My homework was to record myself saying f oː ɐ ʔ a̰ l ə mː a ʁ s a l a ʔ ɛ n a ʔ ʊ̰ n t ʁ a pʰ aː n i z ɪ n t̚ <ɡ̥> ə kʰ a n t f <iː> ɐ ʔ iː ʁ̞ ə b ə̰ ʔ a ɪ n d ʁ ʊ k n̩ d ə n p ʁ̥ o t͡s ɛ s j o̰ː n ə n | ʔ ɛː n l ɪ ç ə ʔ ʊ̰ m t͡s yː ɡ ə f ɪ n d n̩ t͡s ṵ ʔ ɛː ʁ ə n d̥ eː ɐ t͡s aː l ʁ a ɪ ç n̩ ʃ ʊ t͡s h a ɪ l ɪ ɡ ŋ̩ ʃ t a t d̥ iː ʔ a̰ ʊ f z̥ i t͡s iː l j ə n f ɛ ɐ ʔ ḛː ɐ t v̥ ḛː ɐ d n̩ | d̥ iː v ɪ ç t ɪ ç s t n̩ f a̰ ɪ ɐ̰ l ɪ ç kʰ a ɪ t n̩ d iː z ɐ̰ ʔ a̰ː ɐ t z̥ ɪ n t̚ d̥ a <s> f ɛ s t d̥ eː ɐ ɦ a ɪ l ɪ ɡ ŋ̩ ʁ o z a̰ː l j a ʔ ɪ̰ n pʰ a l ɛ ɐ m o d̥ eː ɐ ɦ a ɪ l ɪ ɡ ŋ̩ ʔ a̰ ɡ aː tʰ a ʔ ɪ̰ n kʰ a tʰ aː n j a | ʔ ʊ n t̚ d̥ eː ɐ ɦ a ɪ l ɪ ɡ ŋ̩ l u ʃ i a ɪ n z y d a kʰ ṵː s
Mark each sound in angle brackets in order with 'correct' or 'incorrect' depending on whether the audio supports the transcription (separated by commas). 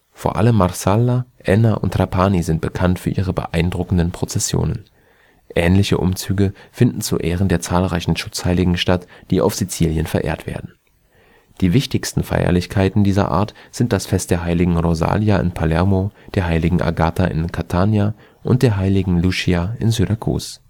incorrect, incorrect, correct